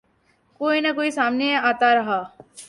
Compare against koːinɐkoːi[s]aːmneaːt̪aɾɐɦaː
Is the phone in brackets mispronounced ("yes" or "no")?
no